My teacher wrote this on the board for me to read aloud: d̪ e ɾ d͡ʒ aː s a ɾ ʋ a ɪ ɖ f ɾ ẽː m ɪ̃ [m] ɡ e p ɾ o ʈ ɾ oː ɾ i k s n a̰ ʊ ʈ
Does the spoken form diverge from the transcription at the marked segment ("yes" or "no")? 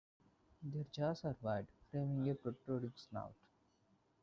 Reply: yes